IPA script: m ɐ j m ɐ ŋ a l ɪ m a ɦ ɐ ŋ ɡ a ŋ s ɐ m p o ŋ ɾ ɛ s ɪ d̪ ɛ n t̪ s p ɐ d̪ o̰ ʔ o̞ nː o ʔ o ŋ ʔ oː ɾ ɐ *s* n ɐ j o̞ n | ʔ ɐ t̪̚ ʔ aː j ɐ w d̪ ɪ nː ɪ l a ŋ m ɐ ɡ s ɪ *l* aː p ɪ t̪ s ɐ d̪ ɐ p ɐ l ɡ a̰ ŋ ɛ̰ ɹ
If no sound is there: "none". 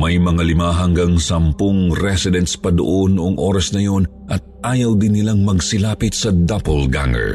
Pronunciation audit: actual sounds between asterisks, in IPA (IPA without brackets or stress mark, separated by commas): s, l